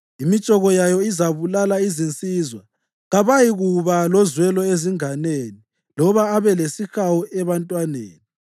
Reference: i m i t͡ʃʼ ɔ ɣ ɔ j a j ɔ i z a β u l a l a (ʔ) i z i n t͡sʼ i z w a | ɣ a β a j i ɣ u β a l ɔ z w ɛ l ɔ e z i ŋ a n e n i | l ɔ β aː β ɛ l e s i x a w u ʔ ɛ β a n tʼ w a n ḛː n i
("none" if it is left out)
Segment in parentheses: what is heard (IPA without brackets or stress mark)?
none